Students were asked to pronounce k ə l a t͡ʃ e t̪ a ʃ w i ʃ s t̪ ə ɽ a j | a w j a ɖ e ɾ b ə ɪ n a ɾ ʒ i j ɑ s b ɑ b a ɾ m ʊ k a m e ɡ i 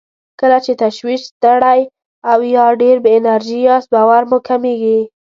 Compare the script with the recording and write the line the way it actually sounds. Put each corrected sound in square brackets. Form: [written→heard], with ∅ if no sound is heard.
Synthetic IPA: k ə l a t͡ʃ e t̪ a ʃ w i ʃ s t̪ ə ɽ a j | a w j [a→ɑ] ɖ e ɾ b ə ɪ n a ɾ ʒ i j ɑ s b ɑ [b→w] a ɾ m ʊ k a m e ɡ i

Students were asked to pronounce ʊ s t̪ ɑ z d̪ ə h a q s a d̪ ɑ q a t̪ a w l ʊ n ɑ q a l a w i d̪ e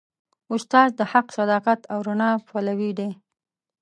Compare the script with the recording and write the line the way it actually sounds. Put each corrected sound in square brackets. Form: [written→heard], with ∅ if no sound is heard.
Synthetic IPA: ʊ s t̪ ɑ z d̪ ə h a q s a d̪ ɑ q a t̪ a w [l→ɾ] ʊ n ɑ [q→p] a l a w i d̪ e

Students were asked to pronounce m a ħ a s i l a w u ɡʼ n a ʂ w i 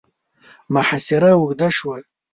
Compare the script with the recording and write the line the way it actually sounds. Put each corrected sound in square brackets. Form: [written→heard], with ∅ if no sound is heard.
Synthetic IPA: m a ħ a s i [l→ɾ] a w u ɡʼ [n→d] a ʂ w [i→a]

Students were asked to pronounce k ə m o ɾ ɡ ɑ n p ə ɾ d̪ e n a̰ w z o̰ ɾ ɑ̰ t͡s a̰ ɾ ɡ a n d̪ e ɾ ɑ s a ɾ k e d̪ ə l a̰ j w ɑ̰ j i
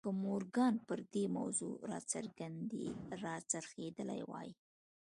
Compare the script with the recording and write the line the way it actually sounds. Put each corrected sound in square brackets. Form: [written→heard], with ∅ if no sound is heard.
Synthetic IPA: k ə m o ɾ ɡ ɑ n p ə ɾ d̪ e [n→m] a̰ w z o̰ ɾ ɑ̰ t͡s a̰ ɾ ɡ a n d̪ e ɾ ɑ [s→t͡s] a ɾ [k→x] e d̪ ə l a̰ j w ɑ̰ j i

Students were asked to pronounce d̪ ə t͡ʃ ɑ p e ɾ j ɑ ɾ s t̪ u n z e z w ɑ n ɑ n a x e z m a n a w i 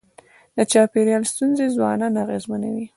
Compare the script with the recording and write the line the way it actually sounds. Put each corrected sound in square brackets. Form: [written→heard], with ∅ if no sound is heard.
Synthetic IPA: d̪ ə t͡ʃ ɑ p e ɾ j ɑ [ɾ→l] s t̪ u n z e z w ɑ n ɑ n a [x→ɣ] e z m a n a w i

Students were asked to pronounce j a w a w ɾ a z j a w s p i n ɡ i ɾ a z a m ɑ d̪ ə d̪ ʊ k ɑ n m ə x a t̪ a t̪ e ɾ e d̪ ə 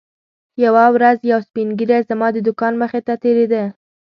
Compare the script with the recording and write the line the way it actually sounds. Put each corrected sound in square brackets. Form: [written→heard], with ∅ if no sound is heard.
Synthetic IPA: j a w a w ɾ a z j a w s p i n ɡ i ɾ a z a m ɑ d̪ ə d̪ ʊ k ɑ n m ə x [a→e] t̪ a t̪ e ɾ e d̪ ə

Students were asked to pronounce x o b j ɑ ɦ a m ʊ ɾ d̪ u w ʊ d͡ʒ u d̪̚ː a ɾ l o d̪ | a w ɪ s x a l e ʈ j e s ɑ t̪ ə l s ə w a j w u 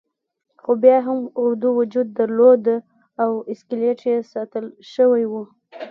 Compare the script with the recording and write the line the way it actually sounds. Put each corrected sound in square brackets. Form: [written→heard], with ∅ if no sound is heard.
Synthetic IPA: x o b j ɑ ɦ a m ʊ ɾ d̪ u w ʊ d͡ʒ u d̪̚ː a ɾ l o d̪ | a w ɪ s [x→k] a l e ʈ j e s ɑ t̪ ə l [s→ʃ] ə w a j w u

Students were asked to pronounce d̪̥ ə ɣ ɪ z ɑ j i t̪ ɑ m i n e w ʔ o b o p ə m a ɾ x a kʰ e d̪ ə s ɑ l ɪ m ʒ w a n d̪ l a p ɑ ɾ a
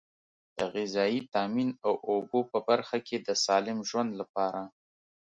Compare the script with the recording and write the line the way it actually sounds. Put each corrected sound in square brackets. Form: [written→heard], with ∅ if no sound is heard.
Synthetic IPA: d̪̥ ə ɣ ɪ z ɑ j i t̪ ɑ m i n [e→a] w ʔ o b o p ə [m→b] a ɾ x a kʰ e d̪ ə s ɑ l ɪ m ʒ w a n d̪ l a p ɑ ɾ a

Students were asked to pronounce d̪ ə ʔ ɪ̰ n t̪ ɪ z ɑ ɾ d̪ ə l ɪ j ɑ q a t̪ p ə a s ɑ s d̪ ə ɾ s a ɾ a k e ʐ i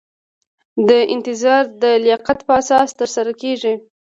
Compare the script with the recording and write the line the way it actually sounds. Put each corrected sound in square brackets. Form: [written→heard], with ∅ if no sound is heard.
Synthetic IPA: d̪ ə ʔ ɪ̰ n t̪ ɪ z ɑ ɾ d̪ ə l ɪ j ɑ q a t̪ p ə a s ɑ s [d̪→t̪] ə ɾ s a ɾ a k e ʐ i

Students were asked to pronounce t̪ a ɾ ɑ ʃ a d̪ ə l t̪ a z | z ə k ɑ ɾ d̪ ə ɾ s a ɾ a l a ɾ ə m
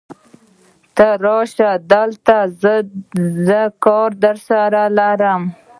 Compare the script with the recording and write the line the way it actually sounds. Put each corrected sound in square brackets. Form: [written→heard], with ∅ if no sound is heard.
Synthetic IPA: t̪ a ɾ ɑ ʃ a d̪ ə l t̪ a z | z ə k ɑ ɾ d̪ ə ɾ s a ɾ a l a ɾ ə m

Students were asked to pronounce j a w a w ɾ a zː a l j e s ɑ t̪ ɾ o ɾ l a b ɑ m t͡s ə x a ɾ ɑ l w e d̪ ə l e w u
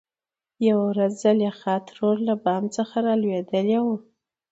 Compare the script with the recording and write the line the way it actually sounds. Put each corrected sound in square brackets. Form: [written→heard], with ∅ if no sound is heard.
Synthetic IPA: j a w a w ɾ a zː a l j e [s→x] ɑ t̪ ɾ o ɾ l a b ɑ m t͡s ə x a ɾ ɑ l w e d̪ ə l e w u

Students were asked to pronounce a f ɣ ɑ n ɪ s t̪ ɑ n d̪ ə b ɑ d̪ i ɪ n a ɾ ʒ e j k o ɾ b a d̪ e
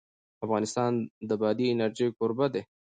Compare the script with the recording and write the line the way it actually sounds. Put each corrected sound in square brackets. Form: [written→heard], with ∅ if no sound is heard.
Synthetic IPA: a f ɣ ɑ n ɪ s t̪ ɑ n d̪ ə b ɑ d̪ i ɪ n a ɾ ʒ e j k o ɾ b a d̪ e

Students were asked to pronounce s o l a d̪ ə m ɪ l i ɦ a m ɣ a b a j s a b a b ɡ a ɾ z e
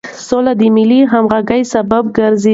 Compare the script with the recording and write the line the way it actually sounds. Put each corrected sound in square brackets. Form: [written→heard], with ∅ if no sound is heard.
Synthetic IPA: s o l a d̪ ə m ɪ l i ɦ a m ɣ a [b→ɡ] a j s a b a b ɡ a ɾ z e

